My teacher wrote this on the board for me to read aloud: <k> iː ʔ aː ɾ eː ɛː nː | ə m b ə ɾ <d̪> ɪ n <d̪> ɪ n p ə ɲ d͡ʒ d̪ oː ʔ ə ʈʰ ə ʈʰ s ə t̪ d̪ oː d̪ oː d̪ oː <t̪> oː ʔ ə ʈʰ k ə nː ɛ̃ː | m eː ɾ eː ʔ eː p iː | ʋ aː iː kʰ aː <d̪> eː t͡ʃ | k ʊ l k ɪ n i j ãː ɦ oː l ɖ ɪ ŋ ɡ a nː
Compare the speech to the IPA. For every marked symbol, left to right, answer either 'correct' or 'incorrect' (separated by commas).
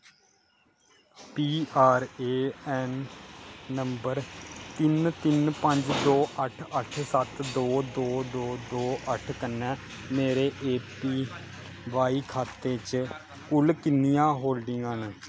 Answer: incorrect, incorrect, incorrect, incorrect, incorrect